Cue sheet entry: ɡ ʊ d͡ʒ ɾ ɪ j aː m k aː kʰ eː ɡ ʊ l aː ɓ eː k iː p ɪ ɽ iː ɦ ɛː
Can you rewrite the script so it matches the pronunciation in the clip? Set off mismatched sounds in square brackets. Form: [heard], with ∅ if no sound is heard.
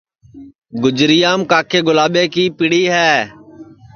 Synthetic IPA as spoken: ɡ ʊ d͡ʒ ɾ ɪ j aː m k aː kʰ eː ɡ ʊ l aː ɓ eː k iː p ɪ ɽ iː ɦ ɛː